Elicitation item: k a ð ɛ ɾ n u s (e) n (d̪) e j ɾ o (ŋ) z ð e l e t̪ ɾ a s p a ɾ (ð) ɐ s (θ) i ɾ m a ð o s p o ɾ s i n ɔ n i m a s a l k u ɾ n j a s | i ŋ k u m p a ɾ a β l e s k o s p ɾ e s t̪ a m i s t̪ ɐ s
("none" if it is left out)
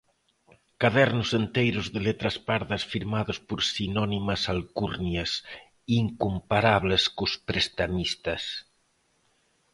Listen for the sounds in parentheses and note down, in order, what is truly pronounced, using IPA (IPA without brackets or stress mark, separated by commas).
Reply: e, t̪, none, ð, f